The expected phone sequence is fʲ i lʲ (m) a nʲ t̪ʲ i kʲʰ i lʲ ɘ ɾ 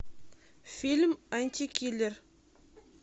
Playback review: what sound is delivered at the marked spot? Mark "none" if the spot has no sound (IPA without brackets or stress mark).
m